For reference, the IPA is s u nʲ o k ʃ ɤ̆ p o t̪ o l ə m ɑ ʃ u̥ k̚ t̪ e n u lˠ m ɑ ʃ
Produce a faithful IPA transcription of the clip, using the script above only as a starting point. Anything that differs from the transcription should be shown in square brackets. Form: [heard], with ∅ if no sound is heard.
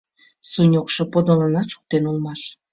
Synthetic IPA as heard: s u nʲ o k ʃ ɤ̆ p o [d̪] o l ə [n] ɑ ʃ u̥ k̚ t̪ e n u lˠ m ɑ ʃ